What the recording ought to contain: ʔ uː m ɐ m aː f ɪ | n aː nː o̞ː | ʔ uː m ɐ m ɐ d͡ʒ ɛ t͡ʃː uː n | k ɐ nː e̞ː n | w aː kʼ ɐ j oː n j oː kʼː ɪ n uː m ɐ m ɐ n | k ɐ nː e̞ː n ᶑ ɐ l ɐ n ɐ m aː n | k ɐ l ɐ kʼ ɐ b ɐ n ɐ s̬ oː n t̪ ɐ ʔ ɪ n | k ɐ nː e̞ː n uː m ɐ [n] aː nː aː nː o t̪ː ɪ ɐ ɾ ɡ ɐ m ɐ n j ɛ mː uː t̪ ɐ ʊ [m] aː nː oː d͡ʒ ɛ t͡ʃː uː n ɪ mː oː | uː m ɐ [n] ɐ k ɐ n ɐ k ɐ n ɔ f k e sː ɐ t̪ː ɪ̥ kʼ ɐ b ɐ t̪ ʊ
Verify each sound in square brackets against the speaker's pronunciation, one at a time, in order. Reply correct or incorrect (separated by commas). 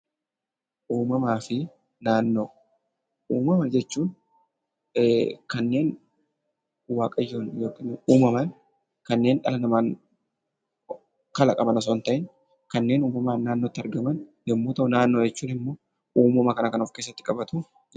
incorrect, incorrect, incorrect